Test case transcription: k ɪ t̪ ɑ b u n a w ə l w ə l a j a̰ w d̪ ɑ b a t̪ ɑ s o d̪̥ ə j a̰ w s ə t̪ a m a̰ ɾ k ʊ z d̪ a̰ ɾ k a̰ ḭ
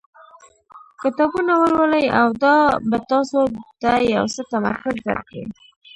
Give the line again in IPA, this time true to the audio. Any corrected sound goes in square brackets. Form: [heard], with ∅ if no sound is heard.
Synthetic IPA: k ɪ t̪ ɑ b u n a w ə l w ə l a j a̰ w d̪ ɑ b a t̪ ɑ s o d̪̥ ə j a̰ w s ə t̪ a m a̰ ɾ k ʊ z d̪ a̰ ɾ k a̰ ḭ